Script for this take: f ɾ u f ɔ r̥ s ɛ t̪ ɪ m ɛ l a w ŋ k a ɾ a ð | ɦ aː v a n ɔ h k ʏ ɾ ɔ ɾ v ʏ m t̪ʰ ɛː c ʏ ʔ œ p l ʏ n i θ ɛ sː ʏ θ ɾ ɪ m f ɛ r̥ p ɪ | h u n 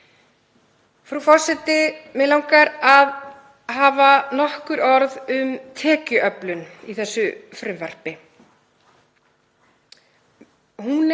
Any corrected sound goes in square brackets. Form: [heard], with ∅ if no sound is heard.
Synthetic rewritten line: f ɾ u f ɔ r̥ s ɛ t̪ ɪ m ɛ l a w ŋ k a ɾ a ð | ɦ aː v a n ɔ h k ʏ ɾ ɔ ɾ [ð] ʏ m t̪ʰ ɛː c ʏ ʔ œ p l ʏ n i θ ɛ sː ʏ [f] ɾ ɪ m [v] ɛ r̥ p ɪ | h u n